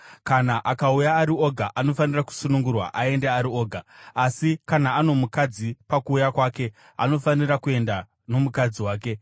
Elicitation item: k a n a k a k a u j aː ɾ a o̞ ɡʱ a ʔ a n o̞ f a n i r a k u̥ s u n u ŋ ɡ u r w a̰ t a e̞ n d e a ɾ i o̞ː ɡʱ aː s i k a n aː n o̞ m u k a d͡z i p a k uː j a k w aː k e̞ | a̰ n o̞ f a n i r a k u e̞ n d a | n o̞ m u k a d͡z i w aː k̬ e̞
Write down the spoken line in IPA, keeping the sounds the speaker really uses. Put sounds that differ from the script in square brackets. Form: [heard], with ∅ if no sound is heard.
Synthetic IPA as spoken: k a n a [ʔ] a k a u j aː ɾ [i] o̞ ɡʱ a ʔ a n o̞ f a n i r a k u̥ s u n u ŋ ɡ u r w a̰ [ʔ] a e̞ n d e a ɾ i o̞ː ɡʱ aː s i k a n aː n o̞ m u k a d͡z i p a k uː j a k w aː k e̞ | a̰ n o̞ f a n i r a k u e̞ n d a | n o̞ m u k a d͡z i w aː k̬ e̞